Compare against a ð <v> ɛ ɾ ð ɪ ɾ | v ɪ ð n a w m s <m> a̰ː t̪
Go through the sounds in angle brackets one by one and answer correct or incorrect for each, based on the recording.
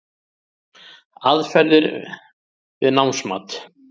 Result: incorrect: f, correct

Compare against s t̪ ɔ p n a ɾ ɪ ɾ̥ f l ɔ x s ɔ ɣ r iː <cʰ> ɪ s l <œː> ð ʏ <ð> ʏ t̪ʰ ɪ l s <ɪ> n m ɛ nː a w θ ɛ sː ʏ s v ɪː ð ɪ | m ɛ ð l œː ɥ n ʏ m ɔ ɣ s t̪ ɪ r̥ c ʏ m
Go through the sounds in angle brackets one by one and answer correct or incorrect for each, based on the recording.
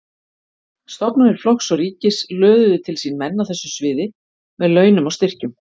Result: incorrect: c, correct, correct, incorrect: i

